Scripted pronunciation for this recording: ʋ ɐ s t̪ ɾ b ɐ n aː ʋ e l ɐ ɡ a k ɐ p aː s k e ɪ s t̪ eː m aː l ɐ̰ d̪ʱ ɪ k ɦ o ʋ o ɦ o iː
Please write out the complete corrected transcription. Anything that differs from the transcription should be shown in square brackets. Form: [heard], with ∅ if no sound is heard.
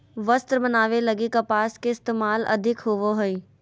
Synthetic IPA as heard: ʋ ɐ s t̪ ɾ b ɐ n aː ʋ e l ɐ ɡ [i] k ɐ p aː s k e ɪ s t̪ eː m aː l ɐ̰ d̪ʱ ɪ k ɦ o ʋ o ɦ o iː